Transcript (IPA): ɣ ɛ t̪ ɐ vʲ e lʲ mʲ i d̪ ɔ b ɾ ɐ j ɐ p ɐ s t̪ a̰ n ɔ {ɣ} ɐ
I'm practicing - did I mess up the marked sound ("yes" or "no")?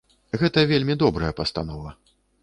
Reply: yes